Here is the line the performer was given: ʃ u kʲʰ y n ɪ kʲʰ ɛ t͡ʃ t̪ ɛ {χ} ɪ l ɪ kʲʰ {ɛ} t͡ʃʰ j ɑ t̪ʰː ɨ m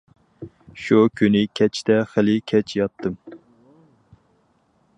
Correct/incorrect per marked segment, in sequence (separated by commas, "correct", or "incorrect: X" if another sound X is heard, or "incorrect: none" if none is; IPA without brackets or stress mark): correct, correct